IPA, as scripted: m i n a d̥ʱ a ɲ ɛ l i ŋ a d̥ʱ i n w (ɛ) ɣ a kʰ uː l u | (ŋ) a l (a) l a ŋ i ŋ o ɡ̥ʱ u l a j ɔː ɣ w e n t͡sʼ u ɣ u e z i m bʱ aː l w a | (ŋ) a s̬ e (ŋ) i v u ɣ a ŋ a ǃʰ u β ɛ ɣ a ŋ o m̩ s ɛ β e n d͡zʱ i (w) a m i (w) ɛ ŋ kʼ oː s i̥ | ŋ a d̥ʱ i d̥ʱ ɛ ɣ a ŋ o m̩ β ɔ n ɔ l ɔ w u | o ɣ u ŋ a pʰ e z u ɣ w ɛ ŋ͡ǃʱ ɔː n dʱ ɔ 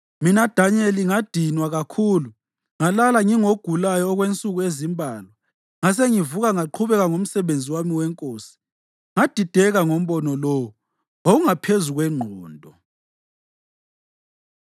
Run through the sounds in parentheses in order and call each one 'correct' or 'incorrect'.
incorrect, correct, correct, correct, correct, correct, correct

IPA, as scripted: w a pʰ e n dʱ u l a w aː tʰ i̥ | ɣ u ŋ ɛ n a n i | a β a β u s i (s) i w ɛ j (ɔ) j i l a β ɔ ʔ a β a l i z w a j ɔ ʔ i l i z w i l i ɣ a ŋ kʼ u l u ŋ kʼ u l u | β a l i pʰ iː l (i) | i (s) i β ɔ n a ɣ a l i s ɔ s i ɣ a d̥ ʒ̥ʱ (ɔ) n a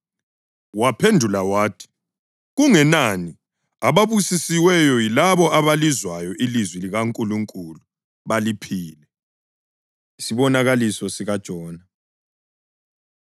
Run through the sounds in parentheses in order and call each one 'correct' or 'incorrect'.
correct, correct, incorrect, correct, incorrect

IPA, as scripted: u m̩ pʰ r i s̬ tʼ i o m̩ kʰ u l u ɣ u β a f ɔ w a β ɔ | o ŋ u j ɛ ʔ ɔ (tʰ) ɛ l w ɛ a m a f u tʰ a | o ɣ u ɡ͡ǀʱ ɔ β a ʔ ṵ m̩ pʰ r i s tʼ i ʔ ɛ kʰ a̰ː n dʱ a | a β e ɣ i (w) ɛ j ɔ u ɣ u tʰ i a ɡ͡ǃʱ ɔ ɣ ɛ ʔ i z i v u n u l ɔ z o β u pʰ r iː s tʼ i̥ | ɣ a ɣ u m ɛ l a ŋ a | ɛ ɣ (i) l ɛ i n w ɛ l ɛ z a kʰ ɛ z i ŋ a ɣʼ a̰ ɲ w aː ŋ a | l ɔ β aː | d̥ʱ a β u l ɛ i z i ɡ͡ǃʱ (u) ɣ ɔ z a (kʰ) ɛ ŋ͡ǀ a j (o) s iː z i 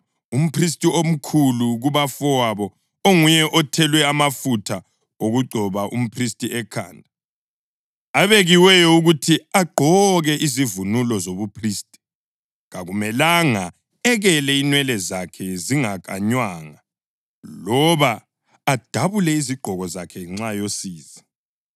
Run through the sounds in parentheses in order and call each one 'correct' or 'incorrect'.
correct, correct, incorrect, incorrect, correct, correct

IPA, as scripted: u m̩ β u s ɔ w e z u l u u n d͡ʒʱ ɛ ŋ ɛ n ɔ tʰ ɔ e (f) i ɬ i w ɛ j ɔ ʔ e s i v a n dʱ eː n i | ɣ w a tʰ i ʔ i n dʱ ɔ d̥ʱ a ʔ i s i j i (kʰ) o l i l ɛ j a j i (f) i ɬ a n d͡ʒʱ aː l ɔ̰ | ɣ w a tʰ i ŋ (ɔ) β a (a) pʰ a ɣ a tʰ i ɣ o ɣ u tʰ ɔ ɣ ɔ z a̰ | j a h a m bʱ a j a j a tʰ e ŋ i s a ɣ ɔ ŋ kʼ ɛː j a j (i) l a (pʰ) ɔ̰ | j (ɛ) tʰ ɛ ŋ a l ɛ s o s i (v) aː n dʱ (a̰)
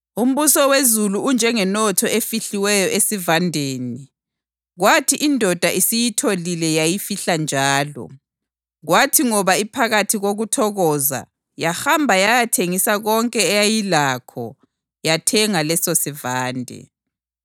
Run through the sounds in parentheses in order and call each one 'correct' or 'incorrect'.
correct, incorrect, correct, correct, incorrect, correct, incorrect, incorrect, correct, incorrect

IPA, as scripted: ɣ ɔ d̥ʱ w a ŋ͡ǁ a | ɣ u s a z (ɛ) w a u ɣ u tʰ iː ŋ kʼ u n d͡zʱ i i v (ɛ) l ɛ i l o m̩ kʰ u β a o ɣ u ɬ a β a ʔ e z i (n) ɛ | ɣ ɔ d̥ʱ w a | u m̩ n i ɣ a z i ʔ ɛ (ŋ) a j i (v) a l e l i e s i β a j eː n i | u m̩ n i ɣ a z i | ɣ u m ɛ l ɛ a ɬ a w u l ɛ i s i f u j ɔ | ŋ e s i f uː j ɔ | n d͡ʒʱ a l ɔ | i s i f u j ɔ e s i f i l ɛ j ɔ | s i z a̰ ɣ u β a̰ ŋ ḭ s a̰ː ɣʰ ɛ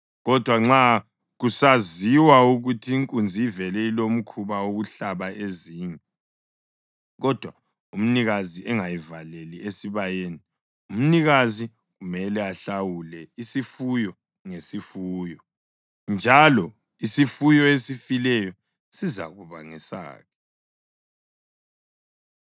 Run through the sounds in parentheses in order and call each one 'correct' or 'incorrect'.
incorrect, correct, incorrect, correct, correct

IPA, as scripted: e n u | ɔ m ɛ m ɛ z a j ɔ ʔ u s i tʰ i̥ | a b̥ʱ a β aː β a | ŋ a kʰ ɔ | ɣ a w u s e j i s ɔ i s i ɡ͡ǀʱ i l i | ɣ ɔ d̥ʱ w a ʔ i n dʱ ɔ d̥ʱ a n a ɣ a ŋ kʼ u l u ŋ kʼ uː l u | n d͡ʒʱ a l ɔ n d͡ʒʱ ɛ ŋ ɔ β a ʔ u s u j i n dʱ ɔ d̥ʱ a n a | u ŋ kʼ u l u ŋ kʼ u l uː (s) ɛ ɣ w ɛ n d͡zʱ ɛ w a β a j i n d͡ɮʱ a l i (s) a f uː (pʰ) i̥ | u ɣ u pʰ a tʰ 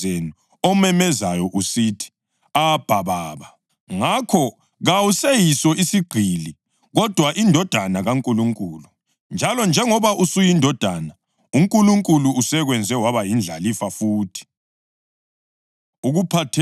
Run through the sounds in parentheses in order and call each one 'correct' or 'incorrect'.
correct, incorrect, incorrect

